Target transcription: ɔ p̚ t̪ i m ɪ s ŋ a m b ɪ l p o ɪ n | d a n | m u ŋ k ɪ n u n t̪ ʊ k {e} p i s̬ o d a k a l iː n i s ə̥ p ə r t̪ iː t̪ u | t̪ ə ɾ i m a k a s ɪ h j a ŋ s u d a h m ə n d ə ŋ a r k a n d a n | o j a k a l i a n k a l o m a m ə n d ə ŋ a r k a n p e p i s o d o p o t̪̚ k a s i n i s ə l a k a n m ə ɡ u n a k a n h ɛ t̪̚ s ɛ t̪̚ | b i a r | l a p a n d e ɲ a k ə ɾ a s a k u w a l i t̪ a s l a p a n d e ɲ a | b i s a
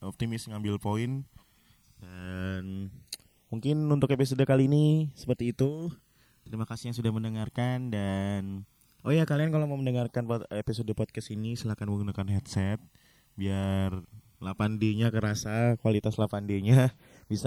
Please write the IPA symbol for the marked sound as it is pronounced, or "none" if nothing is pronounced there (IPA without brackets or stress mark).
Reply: e